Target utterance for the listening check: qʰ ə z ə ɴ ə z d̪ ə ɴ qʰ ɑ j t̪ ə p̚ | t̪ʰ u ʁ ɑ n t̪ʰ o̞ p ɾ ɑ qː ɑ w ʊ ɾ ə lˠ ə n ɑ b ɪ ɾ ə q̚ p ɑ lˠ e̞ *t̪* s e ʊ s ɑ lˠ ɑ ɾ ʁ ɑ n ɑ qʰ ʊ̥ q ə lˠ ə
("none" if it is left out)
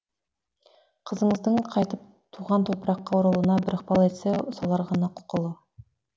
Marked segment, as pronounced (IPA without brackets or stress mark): t̪